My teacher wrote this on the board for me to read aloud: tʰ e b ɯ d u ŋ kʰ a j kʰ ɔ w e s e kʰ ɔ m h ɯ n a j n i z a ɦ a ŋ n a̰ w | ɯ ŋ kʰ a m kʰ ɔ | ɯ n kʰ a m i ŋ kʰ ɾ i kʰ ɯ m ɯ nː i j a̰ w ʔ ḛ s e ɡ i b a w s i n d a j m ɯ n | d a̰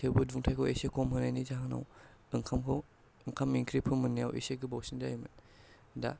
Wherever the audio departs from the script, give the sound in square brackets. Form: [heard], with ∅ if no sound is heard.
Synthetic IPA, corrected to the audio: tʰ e b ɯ d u ŋ [tʰ] a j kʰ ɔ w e s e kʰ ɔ m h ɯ n a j n i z a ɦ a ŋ n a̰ w | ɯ ŋ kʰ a m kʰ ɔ | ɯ [ŋ] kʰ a m i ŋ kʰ ɾ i [pʰ] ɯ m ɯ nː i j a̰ w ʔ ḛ s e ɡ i b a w s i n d a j m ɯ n | d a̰